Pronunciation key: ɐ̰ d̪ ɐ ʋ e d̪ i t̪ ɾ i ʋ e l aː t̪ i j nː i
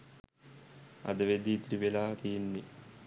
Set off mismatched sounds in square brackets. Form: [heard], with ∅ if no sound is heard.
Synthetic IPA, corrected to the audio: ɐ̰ d̪ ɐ ʋ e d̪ i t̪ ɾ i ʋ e l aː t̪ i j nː i